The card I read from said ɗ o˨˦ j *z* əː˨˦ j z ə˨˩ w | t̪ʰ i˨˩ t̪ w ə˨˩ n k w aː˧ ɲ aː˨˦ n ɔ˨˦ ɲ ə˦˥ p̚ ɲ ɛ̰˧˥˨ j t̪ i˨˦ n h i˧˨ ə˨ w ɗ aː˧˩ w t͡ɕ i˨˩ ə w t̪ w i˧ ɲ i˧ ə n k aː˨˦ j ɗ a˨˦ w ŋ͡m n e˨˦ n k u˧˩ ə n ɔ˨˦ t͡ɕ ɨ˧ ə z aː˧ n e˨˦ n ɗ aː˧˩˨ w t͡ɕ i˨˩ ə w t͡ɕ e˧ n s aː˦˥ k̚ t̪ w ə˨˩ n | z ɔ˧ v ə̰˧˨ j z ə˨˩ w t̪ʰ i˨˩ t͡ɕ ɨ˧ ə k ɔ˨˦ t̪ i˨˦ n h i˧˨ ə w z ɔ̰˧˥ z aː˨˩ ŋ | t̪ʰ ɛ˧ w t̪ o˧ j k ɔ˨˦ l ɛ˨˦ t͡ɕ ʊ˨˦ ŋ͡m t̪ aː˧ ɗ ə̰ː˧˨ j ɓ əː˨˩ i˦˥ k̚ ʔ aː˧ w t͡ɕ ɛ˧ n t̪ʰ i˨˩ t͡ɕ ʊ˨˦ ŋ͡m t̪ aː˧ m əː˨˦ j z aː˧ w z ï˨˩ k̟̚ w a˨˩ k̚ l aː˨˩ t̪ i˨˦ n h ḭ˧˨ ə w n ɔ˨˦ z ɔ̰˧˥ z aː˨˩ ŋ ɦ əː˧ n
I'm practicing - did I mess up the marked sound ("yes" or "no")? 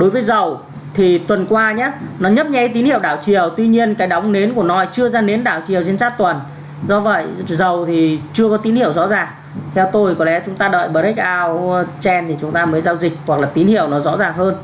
yes